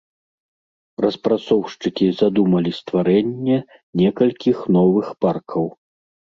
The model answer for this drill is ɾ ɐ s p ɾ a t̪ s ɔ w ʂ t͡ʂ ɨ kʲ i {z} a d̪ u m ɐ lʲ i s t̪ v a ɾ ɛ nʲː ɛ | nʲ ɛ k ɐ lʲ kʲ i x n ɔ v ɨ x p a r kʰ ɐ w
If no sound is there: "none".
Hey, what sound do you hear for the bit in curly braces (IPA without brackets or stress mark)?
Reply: z